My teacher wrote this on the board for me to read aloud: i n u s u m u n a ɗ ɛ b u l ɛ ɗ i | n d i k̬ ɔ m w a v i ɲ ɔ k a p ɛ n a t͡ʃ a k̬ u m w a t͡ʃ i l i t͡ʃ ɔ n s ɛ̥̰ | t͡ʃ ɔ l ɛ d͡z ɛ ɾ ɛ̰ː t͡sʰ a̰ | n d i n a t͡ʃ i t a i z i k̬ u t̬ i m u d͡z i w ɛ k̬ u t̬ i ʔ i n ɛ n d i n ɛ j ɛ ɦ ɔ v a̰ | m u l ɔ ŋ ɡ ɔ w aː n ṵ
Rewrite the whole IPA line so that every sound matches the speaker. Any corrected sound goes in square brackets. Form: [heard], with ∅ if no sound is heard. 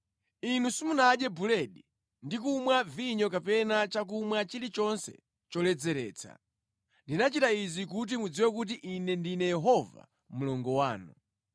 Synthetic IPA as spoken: i n u s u m u n a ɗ ɛ b u l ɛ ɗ i | n d i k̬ [u] m w a v i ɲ ɔ k a p ɛ n a t͡ʃ a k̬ u m w a t͡ʃ i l i t͡ʃ ɔ n s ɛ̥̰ | t͡ʃ ɔ l ɛ d͡z ɛ ɾ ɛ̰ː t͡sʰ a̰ | n d i n a t͡ʃ i t a i z i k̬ u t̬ i m u d͡z i w ɛ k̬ u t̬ i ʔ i n ɛ n d i n ɛ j ɛ ɦ ɔ v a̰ | m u l ɔ ŋ ɡ ɔ w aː n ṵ